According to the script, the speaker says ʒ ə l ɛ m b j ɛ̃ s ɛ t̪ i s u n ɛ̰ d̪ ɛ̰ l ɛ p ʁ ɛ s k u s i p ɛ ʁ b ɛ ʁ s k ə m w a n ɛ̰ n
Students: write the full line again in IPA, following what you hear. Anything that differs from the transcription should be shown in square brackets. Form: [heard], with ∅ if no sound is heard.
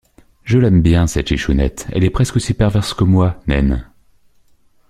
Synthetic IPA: ʒ ə l ɛ m b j ɛ̃ s ɛ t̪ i [ʃ] u n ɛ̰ [t̪] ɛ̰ l ɛ p [χ] ɛ s k [o] s i p ɛ ʁ [v] ɛ ʁ s k ə m w a n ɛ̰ n